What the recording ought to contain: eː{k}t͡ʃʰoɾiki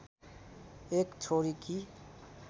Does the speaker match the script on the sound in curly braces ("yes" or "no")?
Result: yes